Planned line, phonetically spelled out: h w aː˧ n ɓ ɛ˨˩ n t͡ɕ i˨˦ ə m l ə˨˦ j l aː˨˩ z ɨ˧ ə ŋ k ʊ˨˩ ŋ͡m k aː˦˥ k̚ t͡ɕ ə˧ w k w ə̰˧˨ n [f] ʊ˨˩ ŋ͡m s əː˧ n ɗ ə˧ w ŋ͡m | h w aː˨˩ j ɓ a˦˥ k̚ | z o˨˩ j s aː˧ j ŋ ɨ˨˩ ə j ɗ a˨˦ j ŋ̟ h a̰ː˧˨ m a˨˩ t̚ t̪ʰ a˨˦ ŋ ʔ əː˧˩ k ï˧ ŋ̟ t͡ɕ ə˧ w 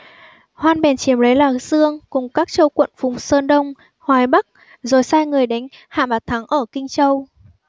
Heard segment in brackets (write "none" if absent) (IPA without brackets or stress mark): f